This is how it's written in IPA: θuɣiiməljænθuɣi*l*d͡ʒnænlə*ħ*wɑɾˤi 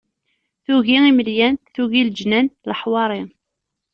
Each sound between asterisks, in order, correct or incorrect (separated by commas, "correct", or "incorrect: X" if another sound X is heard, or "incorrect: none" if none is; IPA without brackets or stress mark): correct, correct